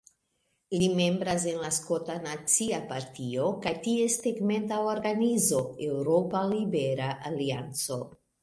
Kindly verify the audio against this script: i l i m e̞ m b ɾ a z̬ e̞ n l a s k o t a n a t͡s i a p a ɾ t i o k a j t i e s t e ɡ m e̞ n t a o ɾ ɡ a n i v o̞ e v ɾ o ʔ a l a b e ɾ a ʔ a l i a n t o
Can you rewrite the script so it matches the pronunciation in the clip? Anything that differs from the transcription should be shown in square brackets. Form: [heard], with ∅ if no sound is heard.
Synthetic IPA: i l i m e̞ m b ɾ a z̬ e̞ n l a s k o t a n a t͡s i a p a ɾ t i o k a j t i e s t e ɡ m e̞ n t a o ɾ ɡ a n i [z] o̞ e [w] ɾ o [p] a l [i] b e ɾ a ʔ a l i a n [t͡s] o